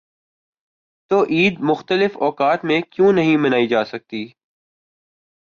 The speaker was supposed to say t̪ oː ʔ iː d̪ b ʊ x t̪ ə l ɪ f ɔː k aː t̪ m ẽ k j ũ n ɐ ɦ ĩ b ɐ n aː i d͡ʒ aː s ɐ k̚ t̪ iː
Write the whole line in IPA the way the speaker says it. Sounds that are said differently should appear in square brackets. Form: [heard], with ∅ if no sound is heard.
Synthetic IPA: t̪ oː ʔ iː d̪ [m] ʊ x t̪ ə l ɪ f ɔː k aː t̪ m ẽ k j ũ n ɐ ɦ ĩ [m] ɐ n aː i d͡ʒ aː s ɐ k̚ t̪ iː